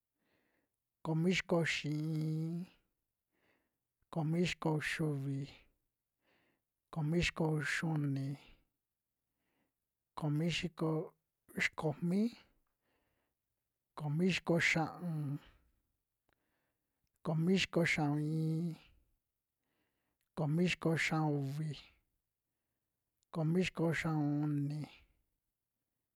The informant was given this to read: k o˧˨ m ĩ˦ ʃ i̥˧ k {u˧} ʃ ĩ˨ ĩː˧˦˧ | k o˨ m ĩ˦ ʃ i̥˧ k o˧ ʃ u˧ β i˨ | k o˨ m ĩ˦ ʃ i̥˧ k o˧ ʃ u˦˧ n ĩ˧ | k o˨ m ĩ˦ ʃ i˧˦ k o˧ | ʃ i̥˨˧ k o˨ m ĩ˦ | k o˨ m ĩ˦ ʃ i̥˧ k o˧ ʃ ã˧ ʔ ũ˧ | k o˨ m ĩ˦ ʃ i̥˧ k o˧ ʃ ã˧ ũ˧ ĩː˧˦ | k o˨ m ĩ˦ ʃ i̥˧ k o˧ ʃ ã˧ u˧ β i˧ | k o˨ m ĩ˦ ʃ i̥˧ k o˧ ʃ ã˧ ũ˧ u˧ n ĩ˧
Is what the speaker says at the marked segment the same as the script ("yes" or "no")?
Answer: no